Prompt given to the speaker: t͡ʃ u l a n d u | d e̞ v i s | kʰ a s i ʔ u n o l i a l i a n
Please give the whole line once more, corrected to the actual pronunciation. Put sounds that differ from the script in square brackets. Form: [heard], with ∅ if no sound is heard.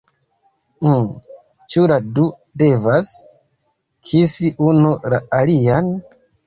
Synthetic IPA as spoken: t͡ʃ u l a [∅] d u | d e̞ v [a] s | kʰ [i] s i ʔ u n [u] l [a] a l i a n